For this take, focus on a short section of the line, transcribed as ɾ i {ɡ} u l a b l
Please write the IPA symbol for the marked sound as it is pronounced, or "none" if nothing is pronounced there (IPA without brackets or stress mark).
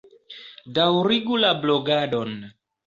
ɡ